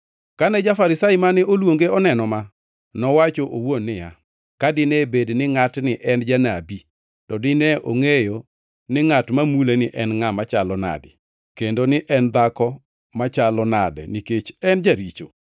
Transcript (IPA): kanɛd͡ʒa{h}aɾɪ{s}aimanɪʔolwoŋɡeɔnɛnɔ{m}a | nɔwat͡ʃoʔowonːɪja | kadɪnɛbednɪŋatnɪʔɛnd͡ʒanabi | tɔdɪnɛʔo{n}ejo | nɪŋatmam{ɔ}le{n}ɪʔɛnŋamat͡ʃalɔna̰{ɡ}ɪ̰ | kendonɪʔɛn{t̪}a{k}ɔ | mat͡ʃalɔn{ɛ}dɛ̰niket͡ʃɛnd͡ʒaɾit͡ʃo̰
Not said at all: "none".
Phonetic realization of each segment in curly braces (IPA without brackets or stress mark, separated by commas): f, s, m, ŋ, u, n, d, d̪, k, a